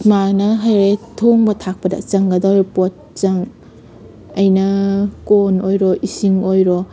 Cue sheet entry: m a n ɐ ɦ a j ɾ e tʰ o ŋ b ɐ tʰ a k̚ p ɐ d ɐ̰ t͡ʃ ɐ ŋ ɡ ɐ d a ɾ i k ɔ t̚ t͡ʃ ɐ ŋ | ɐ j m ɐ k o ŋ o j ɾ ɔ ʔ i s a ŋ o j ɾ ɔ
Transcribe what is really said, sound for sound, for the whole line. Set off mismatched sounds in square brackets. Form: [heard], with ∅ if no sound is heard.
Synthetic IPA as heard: m a n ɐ ɦ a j ɾ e tʰ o ŋ b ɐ tʰ a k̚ p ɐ d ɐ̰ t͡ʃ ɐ ŋ ɡ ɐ d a ɾ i [p] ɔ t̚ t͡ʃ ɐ ŋ | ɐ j [n] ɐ k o [n] o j ɾ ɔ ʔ i s [i] ŋ o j ɾ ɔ